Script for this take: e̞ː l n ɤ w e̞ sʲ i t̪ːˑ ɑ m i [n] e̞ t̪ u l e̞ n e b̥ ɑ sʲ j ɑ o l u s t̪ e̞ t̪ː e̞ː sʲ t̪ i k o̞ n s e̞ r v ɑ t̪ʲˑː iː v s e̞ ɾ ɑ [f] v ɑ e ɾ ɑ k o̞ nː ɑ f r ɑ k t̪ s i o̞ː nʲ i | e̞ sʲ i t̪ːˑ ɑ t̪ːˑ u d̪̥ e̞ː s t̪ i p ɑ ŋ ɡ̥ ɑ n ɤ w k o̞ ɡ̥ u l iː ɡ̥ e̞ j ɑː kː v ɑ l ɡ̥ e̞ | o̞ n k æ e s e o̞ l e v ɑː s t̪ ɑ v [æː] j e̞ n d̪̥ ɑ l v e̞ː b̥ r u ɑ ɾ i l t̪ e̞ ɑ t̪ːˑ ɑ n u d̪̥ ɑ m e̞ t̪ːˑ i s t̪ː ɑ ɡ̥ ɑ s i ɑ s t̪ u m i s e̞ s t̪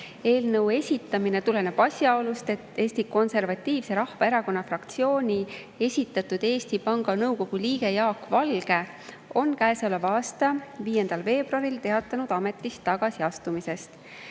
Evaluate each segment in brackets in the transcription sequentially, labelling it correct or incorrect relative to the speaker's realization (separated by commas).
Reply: correct, incorrect, incorrect